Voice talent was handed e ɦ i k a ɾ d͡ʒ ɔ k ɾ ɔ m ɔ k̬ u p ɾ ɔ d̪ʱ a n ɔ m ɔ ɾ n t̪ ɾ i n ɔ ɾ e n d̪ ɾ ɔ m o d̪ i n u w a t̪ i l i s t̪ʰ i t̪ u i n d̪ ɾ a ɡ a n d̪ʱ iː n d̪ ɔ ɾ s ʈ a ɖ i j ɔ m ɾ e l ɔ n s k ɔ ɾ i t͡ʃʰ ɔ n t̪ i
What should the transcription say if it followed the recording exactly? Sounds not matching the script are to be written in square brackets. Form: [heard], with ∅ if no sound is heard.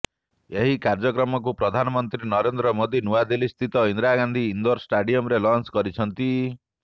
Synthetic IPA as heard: e ɦ i k a ɾ d͡ʒ ɔ k ɾ ɔ m ɔ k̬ u p ɾ ɔ d̪ʱ a n ɔ m ɔ [∅] n t̪ ɾ i n ɔ ɾ e n d̪ ɾ ɔ m o d̪ i n u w a [d̪] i l i s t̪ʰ i t̪ [ɔ] i n d̪ ɾ a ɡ a n d̪ʱ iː n d̪ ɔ ɾ s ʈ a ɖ i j ɔ m ɾ e l ɔ n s k ɔ ɾ i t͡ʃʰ ɔ n t̪ i